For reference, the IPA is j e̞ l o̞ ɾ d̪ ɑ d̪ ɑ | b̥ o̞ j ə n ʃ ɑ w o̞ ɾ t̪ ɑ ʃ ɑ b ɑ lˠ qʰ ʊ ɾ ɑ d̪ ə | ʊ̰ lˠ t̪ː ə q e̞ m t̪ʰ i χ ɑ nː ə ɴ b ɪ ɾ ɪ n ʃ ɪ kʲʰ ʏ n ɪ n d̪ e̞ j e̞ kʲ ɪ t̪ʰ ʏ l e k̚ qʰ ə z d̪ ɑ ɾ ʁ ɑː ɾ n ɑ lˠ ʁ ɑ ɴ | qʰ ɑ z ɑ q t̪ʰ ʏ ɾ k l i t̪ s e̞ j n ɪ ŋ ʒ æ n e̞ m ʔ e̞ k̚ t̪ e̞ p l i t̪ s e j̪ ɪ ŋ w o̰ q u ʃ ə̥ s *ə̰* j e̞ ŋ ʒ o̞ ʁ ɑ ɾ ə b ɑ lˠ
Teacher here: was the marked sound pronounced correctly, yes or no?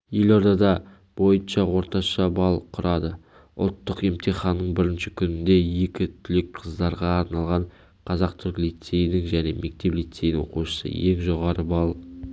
yes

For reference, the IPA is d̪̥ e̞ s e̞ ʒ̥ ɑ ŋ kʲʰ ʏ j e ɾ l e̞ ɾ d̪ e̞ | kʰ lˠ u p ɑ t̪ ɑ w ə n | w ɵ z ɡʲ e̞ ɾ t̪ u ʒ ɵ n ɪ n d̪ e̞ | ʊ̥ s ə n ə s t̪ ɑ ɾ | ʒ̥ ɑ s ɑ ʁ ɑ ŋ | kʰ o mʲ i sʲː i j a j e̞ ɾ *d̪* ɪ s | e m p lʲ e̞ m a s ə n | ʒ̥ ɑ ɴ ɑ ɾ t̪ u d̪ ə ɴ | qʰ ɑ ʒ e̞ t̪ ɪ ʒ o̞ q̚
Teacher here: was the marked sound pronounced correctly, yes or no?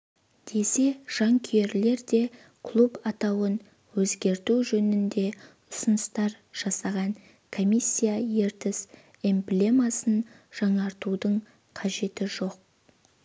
no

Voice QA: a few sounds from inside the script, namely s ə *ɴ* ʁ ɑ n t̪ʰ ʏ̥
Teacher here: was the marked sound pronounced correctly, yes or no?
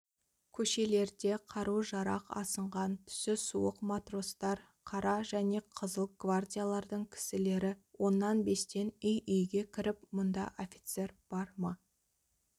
yes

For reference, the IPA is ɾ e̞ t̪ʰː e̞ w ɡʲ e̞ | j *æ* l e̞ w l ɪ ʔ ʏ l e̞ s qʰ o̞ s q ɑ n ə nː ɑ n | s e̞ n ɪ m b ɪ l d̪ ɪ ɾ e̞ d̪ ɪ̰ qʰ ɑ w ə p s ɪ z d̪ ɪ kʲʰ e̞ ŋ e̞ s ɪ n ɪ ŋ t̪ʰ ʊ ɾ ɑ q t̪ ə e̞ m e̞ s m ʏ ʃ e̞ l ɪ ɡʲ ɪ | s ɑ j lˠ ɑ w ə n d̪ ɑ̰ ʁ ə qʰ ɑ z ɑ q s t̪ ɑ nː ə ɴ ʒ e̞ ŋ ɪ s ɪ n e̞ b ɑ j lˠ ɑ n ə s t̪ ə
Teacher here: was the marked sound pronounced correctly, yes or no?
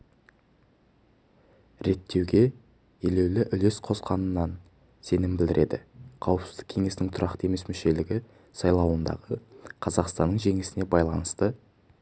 no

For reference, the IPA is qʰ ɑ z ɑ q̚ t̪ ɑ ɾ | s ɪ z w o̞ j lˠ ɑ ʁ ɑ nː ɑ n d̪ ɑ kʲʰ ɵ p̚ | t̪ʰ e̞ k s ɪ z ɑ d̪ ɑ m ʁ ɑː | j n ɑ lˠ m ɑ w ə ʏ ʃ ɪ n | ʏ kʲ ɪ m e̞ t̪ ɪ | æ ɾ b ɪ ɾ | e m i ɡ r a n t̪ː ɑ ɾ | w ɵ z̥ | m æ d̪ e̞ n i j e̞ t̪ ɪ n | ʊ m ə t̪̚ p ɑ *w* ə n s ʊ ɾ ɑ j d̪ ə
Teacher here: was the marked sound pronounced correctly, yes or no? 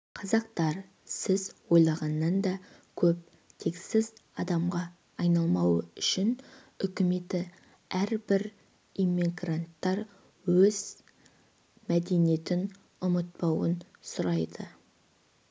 yes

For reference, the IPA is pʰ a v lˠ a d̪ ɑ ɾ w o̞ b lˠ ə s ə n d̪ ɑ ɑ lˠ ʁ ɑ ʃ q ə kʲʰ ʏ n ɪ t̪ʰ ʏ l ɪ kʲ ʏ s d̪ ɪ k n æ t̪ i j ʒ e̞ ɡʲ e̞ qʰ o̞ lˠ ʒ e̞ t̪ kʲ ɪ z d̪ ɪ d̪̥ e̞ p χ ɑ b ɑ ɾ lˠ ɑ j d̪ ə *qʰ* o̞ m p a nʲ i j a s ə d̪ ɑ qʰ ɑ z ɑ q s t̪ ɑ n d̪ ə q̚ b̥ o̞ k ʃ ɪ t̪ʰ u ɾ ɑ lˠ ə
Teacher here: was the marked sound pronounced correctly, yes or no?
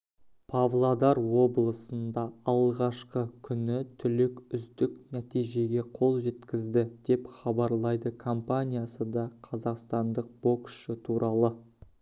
no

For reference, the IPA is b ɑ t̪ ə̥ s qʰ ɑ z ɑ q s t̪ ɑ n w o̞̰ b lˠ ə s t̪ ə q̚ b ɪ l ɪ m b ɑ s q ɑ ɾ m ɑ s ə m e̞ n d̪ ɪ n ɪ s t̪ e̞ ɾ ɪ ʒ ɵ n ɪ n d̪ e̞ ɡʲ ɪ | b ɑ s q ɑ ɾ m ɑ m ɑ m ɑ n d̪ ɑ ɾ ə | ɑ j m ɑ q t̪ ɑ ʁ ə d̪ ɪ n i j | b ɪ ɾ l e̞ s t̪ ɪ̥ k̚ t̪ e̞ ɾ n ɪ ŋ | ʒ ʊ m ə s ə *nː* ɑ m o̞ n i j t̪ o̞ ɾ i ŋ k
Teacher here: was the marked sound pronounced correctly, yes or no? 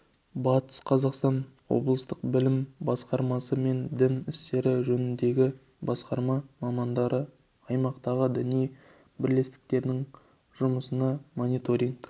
no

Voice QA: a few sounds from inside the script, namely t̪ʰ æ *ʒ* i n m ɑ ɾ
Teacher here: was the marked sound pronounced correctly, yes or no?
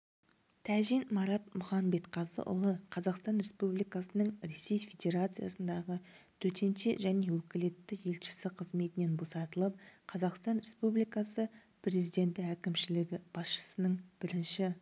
yes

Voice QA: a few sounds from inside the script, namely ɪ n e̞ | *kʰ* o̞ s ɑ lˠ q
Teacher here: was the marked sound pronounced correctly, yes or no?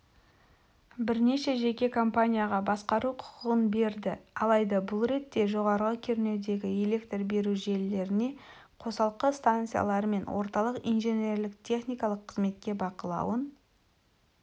no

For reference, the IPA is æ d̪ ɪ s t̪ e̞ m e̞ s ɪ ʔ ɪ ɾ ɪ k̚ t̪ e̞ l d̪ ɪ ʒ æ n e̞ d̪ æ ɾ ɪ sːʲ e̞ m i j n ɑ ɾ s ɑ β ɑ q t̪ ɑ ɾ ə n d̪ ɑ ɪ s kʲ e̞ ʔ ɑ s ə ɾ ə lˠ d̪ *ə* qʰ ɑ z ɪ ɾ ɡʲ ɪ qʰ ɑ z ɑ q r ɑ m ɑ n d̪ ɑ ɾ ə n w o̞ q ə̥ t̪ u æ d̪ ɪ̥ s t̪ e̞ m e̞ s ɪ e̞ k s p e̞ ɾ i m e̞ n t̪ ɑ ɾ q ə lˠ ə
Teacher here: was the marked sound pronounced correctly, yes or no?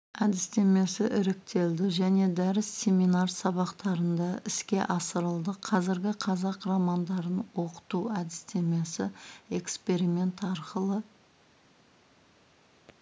yes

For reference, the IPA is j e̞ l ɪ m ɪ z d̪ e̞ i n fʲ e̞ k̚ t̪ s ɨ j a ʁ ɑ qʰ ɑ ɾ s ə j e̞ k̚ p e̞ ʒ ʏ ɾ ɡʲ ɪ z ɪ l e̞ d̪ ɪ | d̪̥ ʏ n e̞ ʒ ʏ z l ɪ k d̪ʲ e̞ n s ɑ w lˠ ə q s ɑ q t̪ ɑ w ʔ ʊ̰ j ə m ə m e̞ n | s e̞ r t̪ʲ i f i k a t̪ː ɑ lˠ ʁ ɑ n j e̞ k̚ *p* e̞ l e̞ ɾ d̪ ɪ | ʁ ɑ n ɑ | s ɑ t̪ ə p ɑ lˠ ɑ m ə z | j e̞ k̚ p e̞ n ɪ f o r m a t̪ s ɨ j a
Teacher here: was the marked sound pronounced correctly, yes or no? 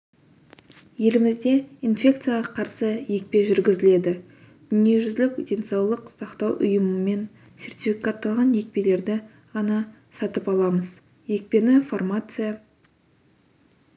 yes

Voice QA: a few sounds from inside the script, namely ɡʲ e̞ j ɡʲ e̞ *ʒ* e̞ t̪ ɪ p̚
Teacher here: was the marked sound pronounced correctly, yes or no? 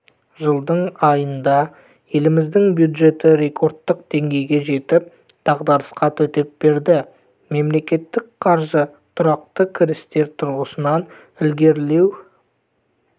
yes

